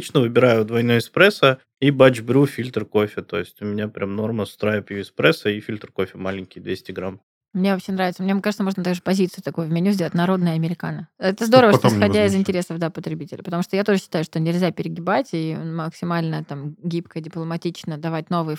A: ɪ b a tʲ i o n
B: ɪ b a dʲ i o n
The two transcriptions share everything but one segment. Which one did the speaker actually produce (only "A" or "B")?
A